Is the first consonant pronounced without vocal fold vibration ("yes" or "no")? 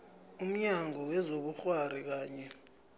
no